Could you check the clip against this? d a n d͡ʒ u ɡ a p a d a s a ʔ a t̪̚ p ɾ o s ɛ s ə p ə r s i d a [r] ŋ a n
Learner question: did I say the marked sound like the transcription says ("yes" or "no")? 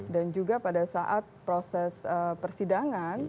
no